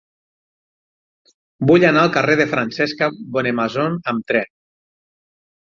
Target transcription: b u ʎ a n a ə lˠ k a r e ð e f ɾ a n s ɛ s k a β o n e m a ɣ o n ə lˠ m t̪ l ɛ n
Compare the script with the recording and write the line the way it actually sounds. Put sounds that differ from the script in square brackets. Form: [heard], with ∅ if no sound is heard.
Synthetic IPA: b u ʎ a n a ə lˠ k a r e ð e f ɾ a n s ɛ s k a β o n e m a [z] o n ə [∅] m t̪ [ɾ] ɛ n